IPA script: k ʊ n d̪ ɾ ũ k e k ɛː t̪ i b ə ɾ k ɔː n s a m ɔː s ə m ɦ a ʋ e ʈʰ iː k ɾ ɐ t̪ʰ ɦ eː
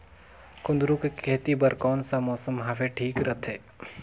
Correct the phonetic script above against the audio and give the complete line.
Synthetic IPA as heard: k ʊ n d̪ ɾ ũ k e k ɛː t̪ i b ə ɾ k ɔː n s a m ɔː s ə m ɦ a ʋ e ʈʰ iː k ɾ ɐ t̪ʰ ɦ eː